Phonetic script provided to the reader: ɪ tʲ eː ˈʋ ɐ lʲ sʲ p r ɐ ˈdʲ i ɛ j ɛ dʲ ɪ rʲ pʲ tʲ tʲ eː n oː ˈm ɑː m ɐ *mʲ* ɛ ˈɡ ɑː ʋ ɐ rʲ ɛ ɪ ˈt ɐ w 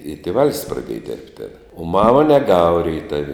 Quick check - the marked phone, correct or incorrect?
incorrect